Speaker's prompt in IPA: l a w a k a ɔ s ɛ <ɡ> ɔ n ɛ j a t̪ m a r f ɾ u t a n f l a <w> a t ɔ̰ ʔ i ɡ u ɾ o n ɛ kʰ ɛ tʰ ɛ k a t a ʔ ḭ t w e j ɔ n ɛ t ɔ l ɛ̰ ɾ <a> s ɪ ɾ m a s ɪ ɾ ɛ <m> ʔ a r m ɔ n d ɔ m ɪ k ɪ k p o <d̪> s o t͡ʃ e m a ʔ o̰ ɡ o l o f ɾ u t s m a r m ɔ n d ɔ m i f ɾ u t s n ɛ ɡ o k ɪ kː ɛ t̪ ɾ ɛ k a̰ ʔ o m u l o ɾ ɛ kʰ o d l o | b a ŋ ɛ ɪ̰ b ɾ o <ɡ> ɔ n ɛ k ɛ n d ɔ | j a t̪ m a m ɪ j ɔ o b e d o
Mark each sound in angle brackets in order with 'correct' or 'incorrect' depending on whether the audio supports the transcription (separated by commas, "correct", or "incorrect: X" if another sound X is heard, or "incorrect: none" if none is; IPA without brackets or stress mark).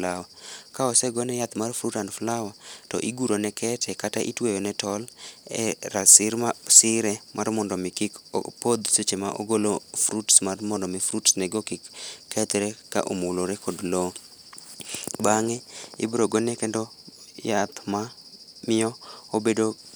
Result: correct, correct, correct, correct, correct, correct